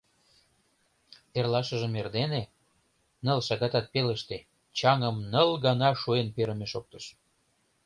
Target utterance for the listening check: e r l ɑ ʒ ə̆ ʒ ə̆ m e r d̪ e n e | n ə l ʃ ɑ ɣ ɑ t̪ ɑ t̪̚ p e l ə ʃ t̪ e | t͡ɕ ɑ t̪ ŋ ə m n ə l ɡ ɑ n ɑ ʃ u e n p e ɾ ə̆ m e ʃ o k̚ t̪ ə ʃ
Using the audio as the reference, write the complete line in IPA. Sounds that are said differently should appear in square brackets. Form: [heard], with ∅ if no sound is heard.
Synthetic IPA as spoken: e r l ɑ [ʃ] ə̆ ʒ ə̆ m e r d̪ e n e | n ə l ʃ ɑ ɣ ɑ t̪ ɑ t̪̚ p e l ə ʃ t̪ e | t͡ɕ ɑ [∅] ŋ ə m n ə l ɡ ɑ n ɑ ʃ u e n p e ɾ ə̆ m e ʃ o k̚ t̪ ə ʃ